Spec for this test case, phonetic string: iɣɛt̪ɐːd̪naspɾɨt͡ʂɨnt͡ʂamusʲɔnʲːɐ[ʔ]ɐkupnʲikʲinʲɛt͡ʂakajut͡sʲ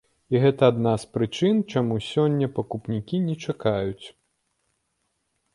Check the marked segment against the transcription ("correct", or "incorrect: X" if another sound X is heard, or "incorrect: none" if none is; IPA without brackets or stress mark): incorrect: p